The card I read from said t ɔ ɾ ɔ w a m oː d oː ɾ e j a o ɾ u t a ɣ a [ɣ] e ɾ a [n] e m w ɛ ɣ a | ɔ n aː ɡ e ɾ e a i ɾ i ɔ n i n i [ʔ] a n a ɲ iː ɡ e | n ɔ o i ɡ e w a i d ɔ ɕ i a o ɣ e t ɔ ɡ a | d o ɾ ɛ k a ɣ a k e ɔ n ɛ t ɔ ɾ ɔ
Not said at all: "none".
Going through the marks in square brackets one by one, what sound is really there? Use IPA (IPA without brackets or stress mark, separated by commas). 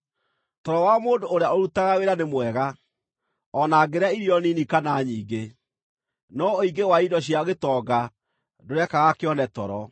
w, n, k